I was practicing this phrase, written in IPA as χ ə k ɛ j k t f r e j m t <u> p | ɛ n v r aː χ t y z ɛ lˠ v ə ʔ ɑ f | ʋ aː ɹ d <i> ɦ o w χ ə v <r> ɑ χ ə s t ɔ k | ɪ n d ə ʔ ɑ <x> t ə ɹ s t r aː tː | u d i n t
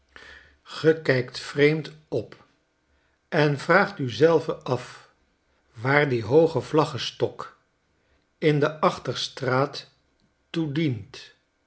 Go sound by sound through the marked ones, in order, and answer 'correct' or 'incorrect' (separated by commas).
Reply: incorrect, correct, incorrect, incorrect